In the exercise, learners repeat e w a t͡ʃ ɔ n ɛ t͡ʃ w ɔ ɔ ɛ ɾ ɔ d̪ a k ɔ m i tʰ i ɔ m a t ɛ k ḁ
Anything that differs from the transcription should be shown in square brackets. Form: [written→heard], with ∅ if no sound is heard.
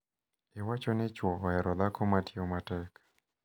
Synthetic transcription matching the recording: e w a t͡ʃ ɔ n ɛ t͡ʃ w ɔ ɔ ɛ ɾ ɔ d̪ a k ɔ m [i→a] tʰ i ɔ m a t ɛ k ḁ

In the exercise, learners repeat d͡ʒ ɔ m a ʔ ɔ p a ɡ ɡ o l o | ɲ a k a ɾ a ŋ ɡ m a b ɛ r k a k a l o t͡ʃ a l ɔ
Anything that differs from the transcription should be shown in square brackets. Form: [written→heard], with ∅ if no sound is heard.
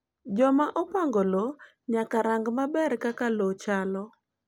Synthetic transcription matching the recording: d͡ʒ ɔ m a ʔ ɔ p a [ɡ→ŋ] ɡ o l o | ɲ a k a ɾ a ŋ ɡ m a b ɛ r k a k a l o t͡ʃ a l ɔ

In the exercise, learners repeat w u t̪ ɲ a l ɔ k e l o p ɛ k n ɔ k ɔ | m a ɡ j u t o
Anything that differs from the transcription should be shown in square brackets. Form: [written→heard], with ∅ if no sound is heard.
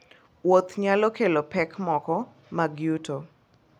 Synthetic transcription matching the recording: w [u→o] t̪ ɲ a l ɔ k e l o p ɛ k [n→m] ɔ k ɔ | m a ɡ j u t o

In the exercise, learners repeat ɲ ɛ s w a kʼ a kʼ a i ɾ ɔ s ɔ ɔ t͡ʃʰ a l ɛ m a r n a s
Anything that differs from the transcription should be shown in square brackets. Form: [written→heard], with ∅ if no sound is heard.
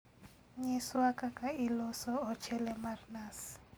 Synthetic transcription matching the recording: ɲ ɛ s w a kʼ a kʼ a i [ɾ→l] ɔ s ɔ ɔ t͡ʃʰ [a→ɛ] l ɛ m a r n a s

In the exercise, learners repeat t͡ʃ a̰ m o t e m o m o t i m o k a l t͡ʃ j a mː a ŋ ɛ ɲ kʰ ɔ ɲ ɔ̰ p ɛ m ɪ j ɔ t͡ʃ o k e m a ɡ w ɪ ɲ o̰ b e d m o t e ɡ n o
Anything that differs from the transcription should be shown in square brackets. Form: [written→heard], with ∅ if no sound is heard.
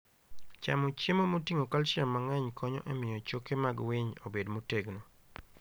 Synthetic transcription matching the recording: t͡ʃ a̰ m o [t→t͡ʃ] e m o m o t i [m→ŋ] o k a l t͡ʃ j a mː a ŋ ɛ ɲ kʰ ɔ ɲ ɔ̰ [p→ʔ] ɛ m ɪ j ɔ t͡ʃ o k e m a ɡ w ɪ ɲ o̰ b e d m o t e ɡ n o

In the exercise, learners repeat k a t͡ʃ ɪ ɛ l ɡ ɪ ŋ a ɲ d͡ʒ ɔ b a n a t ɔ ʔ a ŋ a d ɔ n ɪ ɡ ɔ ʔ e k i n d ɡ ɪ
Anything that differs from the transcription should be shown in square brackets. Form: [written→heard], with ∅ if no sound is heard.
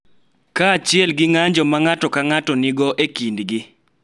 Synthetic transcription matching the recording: k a t͡ʃ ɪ ɛ l ɡ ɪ ŋ a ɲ d͡ʒ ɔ [b→m] a [n→ŋ] a t ɔ [ʔ→k] a ŋ a [d→t] ɔ n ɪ ɡ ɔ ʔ e k i n d ɡ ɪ

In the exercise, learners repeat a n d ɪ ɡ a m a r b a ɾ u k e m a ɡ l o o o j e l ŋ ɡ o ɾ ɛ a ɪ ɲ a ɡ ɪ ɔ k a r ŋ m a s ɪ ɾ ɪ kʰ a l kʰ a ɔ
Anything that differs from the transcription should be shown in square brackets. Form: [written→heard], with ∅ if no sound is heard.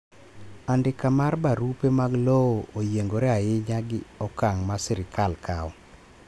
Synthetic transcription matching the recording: a n d ɪ [ɡ→k] a m a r b a ɾ u [k→p] e m a ɡ l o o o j e [l→∅] ŋ ɡ o ɾ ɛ a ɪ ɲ a ɡ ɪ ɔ k a [r→∅] ŋ m a s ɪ ɾ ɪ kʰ a l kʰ a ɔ

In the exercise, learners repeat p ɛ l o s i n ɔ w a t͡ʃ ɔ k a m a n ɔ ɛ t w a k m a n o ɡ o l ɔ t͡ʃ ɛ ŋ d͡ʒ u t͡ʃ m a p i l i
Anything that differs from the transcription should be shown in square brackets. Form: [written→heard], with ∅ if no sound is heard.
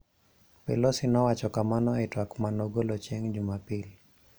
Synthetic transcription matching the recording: p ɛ l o s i n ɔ w a t͡ʃ ɔ k a m a n ɔ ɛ t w a k m a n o ɡ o l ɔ t͡ʃ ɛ ŋ d͡ʒ u [t͡ʃ→∅] m a p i l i

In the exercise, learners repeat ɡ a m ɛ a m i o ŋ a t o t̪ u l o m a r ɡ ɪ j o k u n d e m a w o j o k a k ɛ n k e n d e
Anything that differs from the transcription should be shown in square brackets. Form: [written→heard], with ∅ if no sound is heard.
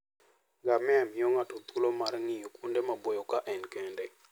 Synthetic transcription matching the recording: ɡ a m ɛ a m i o ŋ a t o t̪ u l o m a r [ɡ→ŋ] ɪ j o k u n d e m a [w→b] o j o k a [k→ʔ] ɛ n k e n d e

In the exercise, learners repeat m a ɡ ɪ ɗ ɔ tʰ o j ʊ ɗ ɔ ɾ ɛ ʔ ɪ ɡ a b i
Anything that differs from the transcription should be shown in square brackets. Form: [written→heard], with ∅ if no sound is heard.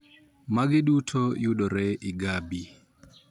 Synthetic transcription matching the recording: m a ɡ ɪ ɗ [ɔ→u] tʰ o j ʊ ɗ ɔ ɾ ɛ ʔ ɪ ɡ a b i

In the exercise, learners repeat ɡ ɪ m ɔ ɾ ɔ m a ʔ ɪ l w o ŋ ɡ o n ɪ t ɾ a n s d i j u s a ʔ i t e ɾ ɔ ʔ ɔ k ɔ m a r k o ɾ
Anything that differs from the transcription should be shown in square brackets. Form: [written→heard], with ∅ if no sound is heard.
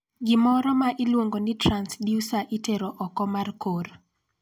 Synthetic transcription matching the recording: ɡ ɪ m ɔ ɾ ɔ m a ʔ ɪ l w o ŋ ɡ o n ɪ t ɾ a n s d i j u s a ʔ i t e ɾ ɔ ʔ ɔ k ɔ m a r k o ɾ

